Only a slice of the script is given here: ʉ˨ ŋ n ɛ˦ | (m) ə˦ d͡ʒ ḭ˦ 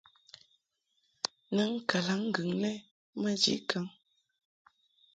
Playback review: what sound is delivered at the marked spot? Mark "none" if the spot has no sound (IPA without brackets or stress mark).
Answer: m